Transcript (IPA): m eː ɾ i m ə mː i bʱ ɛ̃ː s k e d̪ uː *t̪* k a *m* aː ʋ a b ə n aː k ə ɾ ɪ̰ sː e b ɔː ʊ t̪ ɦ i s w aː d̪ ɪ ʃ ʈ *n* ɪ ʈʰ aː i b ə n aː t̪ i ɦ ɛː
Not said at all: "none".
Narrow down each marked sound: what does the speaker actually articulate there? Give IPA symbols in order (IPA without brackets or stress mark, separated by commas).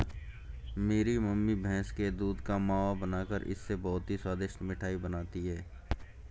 d̪, m, m